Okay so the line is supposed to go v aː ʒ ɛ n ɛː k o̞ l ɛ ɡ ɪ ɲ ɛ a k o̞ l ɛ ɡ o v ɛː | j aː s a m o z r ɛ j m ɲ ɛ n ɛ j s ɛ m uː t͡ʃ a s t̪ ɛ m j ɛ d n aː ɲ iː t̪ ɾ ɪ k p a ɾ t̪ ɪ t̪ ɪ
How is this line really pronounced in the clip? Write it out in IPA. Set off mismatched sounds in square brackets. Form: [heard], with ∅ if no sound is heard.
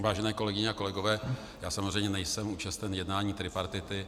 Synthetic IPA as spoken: v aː ʒ ɛ n ɛː k o̞ l ɛ ɡ ɪ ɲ ɛ a k o̞ l ɛ ɡ o v ɛː | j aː s a m o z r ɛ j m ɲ ɛ n ɛ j s ɛ m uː t͡ʃ a s t̪ ɛ [n] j ɛ d n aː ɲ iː t̪ ɾ ɪ [∅] p a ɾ t̪ ɪ t̪ ɪ